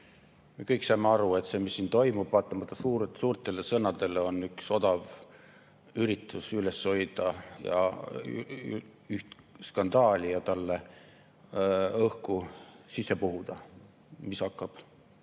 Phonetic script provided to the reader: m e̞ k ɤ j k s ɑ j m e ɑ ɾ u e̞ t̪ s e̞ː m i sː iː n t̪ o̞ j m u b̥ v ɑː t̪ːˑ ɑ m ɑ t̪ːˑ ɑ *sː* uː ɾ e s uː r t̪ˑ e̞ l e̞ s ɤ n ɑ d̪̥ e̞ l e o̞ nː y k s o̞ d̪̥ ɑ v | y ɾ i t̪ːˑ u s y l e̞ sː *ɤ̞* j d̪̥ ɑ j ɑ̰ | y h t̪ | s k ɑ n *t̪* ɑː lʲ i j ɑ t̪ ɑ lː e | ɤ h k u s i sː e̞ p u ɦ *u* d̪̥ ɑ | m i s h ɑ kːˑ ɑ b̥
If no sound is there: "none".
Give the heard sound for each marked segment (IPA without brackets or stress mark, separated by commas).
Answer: s, o̞, d̪, u